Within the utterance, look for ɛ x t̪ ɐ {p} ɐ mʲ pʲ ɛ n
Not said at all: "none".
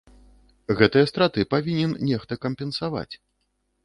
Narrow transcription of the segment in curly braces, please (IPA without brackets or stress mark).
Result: k